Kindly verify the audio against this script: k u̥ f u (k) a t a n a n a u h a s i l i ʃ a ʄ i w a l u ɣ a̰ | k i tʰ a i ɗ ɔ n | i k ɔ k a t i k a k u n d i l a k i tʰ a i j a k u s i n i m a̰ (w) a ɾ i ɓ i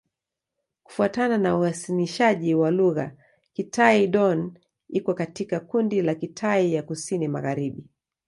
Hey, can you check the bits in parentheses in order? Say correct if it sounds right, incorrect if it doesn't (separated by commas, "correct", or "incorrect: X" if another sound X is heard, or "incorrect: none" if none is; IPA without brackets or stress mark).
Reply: incorrect: none, incorrect: ɣ